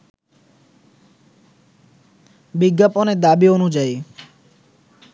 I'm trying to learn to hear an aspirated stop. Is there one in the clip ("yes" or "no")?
no